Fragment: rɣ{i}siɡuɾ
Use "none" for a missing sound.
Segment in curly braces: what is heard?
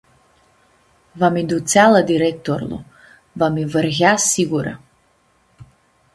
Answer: a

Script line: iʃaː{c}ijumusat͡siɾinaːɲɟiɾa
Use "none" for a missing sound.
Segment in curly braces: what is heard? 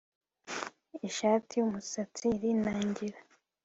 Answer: t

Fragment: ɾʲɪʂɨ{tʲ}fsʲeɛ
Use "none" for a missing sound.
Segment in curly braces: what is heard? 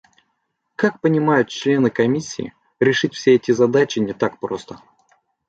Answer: tʲ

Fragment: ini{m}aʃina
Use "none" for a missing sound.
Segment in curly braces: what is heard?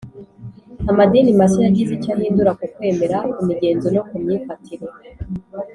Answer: m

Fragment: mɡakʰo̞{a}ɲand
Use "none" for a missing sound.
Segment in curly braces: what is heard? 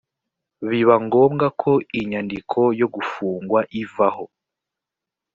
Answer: i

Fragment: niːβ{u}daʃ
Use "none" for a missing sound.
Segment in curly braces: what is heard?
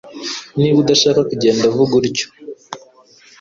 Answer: u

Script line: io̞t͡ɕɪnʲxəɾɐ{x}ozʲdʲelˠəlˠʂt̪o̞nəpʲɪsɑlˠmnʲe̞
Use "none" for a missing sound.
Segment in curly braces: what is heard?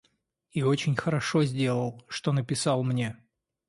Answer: ʂ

